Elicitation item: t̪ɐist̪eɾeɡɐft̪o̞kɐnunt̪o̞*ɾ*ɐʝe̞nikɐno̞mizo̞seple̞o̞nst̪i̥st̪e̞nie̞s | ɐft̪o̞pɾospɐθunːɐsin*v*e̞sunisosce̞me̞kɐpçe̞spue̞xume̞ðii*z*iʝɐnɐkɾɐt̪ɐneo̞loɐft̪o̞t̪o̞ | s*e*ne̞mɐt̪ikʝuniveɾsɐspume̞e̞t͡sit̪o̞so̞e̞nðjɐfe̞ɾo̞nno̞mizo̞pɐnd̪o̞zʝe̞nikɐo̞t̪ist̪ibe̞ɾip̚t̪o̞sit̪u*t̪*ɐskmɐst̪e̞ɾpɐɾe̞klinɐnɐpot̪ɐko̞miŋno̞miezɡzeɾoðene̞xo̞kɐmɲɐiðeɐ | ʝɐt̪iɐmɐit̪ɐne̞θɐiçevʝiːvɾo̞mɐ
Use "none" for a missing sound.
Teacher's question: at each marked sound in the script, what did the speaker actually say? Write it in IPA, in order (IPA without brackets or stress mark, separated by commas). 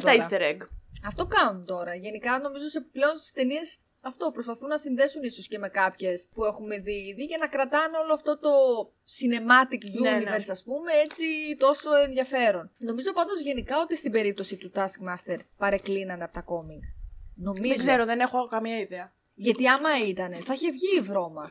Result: ɾ, ð, ð, i, t̪